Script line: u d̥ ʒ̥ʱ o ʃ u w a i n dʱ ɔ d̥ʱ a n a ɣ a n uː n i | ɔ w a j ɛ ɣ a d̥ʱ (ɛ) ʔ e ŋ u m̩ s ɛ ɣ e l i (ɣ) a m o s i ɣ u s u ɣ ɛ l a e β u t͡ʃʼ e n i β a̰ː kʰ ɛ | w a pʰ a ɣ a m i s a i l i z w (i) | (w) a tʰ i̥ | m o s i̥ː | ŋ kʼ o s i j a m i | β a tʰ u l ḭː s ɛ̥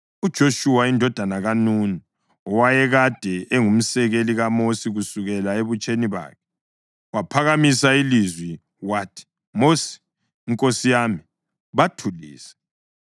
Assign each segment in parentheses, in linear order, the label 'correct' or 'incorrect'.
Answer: correct, correct, correct, correct

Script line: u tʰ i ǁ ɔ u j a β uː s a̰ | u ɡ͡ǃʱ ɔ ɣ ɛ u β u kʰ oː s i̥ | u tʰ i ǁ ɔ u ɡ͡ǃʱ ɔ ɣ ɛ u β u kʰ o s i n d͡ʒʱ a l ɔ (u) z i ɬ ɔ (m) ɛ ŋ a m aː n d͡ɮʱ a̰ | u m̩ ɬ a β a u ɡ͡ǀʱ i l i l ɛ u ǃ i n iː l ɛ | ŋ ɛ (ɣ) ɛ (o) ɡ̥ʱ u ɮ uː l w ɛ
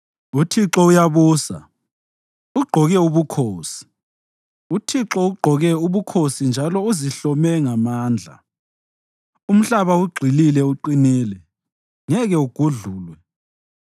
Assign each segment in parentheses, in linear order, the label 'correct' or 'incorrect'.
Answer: correct, correct, correct, incorrect

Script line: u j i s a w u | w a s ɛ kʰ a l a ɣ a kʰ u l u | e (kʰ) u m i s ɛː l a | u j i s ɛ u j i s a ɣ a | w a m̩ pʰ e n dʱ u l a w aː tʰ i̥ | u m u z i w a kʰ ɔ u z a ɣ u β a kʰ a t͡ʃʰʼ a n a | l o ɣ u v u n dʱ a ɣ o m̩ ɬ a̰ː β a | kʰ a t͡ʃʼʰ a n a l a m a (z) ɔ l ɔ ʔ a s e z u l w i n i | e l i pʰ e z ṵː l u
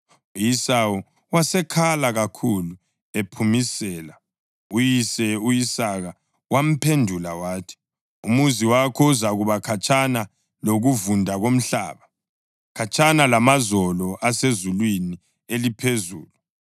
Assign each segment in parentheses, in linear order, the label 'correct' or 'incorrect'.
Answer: incorrect, correct

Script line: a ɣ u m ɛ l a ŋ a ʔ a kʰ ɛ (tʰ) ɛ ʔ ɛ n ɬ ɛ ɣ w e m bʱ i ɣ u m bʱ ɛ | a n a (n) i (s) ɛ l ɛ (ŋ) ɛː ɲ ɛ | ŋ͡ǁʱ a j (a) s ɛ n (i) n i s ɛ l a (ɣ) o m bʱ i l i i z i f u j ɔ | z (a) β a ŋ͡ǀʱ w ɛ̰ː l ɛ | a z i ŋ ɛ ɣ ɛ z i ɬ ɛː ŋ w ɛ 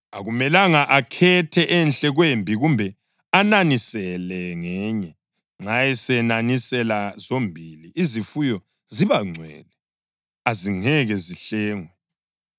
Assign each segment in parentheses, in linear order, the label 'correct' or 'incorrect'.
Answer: correct, correct, correct, correct, incorrect, incorrect, incorrect, incorrect

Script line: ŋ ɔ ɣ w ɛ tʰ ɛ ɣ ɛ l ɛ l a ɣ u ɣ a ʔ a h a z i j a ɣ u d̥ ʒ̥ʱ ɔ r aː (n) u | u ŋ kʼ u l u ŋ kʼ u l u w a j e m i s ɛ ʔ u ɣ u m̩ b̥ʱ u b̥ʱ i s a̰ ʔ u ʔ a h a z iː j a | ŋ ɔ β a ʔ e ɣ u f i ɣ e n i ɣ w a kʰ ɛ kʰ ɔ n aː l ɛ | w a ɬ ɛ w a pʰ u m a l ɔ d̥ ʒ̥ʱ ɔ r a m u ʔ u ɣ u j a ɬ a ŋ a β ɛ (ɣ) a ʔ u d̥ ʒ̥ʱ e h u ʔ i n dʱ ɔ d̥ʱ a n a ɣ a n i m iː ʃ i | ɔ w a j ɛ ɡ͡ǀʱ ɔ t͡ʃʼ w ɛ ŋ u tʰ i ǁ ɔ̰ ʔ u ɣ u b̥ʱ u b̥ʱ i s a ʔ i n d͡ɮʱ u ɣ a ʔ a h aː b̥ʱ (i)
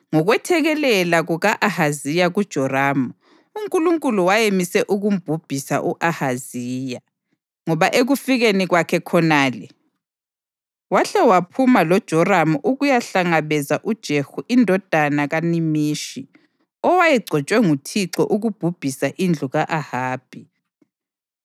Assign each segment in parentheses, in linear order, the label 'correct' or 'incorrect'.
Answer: incorrect, incorrect, correct

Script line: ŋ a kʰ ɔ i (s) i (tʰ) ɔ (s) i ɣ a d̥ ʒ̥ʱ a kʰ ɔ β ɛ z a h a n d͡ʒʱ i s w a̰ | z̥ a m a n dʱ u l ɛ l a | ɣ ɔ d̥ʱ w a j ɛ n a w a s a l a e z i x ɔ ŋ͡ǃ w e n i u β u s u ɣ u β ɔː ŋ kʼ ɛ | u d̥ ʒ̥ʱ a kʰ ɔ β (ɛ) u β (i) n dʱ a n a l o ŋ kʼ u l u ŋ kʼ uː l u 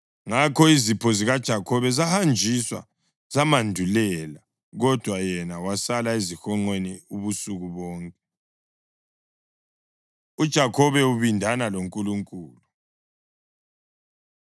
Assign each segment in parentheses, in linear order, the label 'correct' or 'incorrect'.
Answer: incorrect, incorrect, incorrect, correct, correct

